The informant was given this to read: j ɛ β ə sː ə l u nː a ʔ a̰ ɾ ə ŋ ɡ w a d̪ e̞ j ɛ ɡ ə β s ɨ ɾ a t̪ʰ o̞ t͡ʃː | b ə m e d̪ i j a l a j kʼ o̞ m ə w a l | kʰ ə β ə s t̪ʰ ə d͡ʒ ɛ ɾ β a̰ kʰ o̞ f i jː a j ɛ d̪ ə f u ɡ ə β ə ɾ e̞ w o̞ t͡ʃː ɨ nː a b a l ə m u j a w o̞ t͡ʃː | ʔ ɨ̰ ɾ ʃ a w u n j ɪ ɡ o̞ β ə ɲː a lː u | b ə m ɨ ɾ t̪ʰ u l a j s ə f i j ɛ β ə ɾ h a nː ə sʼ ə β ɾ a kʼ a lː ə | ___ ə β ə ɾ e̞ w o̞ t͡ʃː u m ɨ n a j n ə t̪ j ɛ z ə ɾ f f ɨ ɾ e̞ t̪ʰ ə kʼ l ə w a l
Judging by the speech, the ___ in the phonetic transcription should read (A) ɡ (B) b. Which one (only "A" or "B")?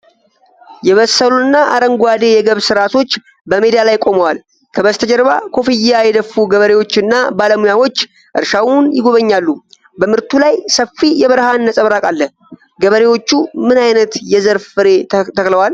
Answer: A